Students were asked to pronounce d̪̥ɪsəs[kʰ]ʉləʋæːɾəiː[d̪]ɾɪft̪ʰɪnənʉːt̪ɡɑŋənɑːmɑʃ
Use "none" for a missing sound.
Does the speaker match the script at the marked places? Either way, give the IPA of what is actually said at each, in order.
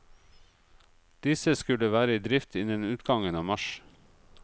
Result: k, d̪

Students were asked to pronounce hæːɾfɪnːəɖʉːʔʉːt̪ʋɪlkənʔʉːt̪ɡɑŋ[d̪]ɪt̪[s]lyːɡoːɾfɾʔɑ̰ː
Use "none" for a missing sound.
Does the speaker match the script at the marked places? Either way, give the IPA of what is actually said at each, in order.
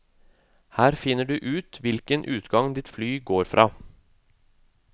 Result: d̪, f

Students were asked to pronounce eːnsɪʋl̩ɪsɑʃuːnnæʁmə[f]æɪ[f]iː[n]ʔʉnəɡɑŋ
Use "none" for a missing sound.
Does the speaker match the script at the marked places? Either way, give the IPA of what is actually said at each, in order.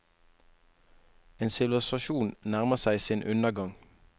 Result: s, s, n

